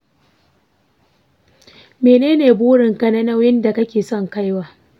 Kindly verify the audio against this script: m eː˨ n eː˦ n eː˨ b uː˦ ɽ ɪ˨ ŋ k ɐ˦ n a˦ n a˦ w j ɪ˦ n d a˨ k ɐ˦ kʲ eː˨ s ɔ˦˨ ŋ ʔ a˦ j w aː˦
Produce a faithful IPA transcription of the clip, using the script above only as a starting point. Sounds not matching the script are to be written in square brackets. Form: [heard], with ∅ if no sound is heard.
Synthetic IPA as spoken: m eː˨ n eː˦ n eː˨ b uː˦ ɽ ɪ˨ ŋ k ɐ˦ n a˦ n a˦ w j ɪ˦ n d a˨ k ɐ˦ kʲ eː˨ s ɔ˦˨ ŋ [k] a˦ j w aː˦

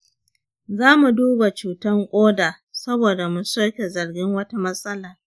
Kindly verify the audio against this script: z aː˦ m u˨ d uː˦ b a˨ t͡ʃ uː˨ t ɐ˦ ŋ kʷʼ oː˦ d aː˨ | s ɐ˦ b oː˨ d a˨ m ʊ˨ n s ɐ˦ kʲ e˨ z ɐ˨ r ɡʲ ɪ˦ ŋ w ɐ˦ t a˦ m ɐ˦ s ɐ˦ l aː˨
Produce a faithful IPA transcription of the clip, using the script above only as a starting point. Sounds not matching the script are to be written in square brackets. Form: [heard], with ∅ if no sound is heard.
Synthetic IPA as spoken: z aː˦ m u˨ d uː˦ b a˨ t͡ʃ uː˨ t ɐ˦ ŋ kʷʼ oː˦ d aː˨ | s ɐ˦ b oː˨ d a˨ m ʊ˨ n s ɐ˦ kʲ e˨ z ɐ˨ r ɡʲ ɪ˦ ŋ w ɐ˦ t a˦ m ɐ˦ s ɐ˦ l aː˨

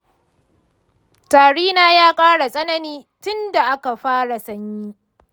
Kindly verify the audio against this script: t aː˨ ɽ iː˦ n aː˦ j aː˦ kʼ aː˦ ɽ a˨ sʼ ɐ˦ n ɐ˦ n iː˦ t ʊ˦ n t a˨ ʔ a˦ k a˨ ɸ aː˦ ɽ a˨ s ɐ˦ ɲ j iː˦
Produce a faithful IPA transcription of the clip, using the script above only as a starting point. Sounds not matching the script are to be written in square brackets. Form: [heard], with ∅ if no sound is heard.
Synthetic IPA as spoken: t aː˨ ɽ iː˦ n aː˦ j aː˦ kʼ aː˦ ɽ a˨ sʼ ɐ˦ n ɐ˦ n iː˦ t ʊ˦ n [d] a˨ ʔ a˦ k a˨ ɸ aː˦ ɽ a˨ s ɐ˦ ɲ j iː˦

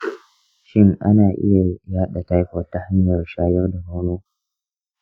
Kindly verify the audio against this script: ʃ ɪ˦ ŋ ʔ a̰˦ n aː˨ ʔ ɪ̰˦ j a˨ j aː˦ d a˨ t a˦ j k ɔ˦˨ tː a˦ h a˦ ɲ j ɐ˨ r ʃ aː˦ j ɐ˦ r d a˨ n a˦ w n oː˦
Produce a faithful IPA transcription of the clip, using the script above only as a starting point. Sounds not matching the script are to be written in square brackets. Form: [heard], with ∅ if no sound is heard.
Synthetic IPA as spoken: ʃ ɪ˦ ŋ ʔ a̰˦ n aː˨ ʔ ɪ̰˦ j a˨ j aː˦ [ɗ] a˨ t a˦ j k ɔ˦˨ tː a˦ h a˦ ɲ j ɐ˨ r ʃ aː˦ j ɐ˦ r d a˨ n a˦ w n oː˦

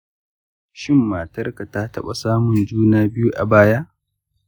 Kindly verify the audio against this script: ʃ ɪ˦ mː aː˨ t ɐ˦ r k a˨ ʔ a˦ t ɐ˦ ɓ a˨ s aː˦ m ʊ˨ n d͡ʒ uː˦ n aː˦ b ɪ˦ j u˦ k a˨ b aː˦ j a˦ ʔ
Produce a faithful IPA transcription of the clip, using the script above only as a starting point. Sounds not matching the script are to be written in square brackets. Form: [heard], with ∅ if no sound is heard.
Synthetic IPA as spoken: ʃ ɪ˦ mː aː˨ t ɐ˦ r k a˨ [t] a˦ t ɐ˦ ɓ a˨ s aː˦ m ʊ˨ n d͡ʒ uː˦ n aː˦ b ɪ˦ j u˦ [ʔ] a˨ b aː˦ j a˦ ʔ

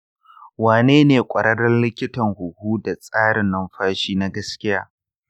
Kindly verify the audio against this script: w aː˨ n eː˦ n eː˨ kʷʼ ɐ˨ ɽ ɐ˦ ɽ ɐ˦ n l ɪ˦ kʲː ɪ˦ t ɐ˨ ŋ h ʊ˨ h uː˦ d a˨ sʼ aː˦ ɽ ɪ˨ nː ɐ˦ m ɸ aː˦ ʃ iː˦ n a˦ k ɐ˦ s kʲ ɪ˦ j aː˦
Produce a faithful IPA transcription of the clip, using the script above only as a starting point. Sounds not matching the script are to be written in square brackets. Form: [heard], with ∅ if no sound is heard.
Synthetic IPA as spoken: w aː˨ n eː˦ n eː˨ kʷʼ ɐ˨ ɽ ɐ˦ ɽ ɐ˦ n l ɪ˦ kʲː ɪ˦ t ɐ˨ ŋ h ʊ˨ h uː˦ d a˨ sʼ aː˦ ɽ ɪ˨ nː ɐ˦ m ɸ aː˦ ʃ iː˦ n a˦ [ɡ] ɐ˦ s kʲ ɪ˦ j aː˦

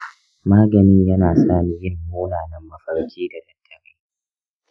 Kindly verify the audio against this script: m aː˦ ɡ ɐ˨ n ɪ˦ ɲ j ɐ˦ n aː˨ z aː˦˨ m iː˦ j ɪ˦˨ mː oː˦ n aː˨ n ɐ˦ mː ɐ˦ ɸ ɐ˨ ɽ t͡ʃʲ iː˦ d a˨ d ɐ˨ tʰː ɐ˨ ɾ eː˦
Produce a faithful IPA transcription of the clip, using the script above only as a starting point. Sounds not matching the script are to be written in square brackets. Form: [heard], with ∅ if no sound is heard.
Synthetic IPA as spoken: m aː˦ ɡ ɐ˨ n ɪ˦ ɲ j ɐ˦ n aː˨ [s] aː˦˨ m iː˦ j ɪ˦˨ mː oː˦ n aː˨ n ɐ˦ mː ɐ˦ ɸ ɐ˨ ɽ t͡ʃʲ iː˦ d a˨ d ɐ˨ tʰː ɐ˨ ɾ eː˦

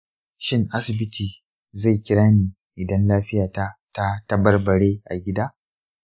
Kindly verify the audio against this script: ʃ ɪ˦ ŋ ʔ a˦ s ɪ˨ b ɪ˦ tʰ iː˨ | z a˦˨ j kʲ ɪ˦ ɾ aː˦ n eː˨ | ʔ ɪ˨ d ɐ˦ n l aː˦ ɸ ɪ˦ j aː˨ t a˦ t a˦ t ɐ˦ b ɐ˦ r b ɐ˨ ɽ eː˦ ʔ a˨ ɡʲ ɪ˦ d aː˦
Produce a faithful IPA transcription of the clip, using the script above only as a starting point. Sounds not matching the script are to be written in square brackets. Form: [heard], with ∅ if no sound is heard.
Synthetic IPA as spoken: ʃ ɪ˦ ŋ ʔ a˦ s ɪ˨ b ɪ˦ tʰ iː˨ | z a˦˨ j kʲ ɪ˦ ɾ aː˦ n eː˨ | ʔ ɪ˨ d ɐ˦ n l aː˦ ɸ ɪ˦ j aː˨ t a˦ t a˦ t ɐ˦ b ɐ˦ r b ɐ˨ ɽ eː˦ ʔ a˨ ɡʲ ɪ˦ d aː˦

